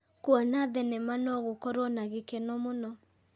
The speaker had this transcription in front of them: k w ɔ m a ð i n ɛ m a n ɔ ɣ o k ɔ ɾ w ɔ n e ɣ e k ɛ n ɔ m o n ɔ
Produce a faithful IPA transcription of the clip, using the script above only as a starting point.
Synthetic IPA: k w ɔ n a ð ɛ n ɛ m a n ɔ ɣ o k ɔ ɾ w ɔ n a ɣ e k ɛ n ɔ m o n ɔ